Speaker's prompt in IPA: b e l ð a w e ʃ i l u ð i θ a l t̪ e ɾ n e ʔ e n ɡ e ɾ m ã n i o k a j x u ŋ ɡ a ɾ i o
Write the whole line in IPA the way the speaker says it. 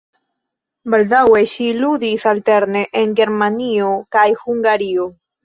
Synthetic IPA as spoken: b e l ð a w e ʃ i l u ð i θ a l t̪ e ɾ n e ʔ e ŋ ɡ e ɾ m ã n i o k a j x u ŋ ɡ a ɾ i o